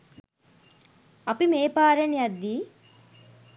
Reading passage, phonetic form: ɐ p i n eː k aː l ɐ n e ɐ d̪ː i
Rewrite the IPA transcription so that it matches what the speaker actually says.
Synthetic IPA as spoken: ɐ p i m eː p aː ɾ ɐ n i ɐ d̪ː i

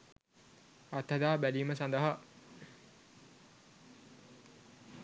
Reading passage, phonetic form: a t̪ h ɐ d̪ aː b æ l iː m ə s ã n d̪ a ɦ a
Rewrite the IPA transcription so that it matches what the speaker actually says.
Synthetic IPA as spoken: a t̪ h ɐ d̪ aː b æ l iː m ə s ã n d̪ ə ɦ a

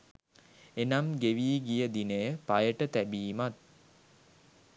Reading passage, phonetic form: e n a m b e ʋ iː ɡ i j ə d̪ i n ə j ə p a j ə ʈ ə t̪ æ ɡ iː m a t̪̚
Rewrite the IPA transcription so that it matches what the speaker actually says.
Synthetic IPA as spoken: e n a m ɡ e ʋ iː ɡ i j ə d̪ i n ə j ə p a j ə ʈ ə t̪ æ b iː m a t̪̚

